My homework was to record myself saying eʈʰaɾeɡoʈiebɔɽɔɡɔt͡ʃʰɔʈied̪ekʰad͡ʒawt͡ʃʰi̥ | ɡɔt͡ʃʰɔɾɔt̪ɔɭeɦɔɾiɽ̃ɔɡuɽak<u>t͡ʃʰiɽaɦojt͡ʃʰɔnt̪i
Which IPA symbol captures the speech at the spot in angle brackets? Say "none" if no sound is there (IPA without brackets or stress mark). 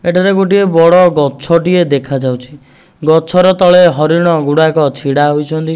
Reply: ɔ